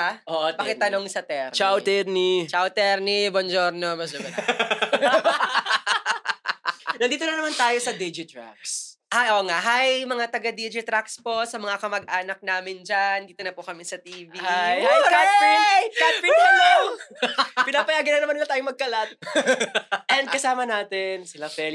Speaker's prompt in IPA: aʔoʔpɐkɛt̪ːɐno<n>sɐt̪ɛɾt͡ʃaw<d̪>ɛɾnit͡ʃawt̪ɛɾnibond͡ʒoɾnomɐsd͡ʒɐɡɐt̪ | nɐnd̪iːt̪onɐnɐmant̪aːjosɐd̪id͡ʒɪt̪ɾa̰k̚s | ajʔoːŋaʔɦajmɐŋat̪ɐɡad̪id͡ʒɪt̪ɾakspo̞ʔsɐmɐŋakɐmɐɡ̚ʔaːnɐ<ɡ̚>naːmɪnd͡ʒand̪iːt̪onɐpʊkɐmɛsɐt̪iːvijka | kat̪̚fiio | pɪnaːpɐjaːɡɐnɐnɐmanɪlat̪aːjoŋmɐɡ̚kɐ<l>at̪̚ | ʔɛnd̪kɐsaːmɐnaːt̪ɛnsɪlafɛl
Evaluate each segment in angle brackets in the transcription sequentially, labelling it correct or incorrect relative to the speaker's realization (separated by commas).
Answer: incorrect, incorrect, incorrect, correct